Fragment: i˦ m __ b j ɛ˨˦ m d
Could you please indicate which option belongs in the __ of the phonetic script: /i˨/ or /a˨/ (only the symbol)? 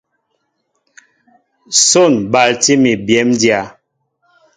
i˨